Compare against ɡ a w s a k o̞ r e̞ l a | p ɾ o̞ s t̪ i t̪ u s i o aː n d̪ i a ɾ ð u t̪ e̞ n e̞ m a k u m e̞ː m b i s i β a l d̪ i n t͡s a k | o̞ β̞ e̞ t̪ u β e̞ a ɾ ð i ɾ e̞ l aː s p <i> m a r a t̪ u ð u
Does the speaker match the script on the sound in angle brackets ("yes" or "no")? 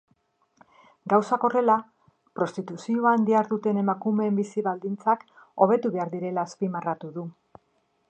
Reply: yes